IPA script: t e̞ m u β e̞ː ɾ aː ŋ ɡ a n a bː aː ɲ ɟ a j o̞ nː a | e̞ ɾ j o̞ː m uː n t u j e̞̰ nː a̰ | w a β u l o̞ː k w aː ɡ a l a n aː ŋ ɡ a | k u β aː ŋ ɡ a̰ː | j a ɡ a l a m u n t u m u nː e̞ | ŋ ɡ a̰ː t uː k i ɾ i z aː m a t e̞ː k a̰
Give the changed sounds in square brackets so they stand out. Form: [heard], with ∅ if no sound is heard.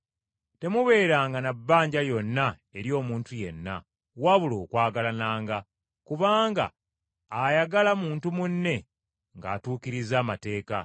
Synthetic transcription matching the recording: t e̞ m u β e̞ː ɾ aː ŋ ɡ a n a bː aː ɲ ɟ a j o̞ nː a | e̞ ɾ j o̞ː m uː n t u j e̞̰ nː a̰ | w a β u l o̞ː k w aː ɡ a l a n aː ŋ ɡ a | k u β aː ŋ ɡ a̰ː | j a ɡ a l a m [uː] n t u m u nː e̞ | ŋ ɡ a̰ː t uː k i ɾ i z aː m a t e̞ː k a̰